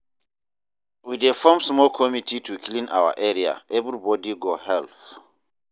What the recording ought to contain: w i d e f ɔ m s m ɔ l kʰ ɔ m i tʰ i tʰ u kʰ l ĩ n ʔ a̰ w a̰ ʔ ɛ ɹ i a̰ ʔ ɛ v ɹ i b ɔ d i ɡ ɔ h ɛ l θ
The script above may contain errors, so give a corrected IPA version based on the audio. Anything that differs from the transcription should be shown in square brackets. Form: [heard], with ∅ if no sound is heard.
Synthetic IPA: w i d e f ɔ m s m ɔ l kʰ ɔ m i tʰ i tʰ u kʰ l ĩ n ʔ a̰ w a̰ ʔ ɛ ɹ i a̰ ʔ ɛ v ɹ i b ɔ d i ɡ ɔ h ɛ l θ